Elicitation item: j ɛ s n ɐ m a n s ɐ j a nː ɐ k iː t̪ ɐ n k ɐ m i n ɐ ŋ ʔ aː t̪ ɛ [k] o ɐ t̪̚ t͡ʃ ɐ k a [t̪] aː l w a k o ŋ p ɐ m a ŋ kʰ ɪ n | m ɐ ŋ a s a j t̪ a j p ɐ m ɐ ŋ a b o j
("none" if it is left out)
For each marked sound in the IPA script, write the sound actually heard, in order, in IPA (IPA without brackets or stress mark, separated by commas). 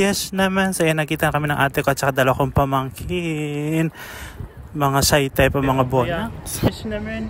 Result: k, d̪